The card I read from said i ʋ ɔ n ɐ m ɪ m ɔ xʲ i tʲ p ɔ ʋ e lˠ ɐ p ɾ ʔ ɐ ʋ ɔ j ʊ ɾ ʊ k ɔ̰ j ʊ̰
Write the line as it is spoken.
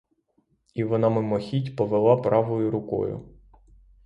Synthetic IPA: i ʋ ɔ n ɑ m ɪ m ɔ xʲ i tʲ p ɔ ʋ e lˠ ɑ p ɾ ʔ ɑ ʋ ɔ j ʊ ɾ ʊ k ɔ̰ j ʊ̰